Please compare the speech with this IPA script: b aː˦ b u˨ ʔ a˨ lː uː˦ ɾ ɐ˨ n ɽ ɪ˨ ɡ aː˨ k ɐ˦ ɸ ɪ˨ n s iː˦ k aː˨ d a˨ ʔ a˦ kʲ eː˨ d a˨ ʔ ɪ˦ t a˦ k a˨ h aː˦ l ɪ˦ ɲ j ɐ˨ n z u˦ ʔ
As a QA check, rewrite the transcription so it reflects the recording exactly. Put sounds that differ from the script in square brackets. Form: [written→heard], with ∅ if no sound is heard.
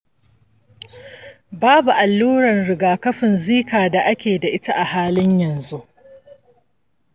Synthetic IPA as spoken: b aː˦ b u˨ ʔ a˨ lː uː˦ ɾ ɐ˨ n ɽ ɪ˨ ɡ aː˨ k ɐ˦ ɸ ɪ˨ n [s→z] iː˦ k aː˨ d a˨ ʔ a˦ kʲ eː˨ d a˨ ʔ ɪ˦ t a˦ [k→ʔ] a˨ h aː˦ l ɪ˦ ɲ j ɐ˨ n z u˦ ʔ